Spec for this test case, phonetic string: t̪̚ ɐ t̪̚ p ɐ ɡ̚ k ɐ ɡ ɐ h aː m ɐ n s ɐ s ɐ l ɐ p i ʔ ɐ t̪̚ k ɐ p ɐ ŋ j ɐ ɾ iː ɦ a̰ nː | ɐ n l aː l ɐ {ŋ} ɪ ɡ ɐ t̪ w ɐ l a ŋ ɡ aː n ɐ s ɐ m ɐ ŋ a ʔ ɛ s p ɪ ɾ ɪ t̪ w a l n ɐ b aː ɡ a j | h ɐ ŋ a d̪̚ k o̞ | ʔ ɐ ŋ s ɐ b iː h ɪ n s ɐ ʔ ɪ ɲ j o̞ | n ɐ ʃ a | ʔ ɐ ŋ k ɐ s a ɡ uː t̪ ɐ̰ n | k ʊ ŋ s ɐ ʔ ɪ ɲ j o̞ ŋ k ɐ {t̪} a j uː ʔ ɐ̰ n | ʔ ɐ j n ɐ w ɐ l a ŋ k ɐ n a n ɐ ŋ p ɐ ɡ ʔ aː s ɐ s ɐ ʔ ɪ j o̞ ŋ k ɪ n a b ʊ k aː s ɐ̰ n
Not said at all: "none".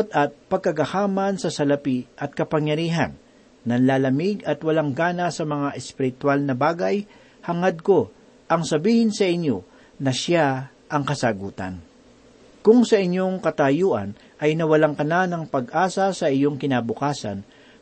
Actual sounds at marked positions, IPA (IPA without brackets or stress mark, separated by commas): m, t̪